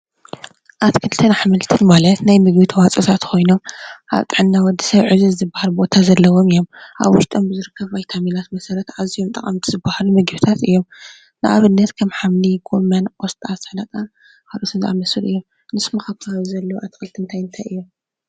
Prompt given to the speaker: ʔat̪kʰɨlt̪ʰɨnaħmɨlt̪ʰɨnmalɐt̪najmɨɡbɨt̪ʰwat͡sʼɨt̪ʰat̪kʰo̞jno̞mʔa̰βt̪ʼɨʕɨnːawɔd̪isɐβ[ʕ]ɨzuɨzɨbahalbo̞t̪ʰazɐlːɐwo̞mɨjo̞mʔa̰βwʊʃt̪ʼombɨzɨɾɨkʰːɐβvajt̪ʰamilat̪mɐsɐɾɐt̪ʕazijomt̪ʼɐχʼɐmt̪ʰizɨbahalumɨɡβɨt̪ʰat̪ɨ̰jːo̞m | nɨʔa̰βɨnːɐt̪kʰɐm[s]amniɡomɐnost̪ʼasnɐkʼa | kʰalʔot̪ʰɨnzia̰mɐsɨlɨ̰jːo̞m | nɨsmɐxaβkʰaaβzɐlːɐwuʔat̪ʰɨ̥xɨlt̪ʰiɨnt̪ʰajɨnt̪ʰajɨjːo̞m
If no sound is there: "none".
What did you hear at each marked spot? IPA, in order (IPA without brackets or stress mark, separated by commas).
ʕ, ħ